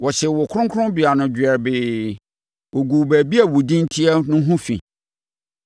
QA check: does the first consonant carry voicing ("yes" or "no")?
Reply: yes